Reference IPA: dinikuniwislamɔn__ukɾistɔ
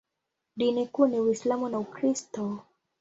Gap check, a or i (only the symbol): a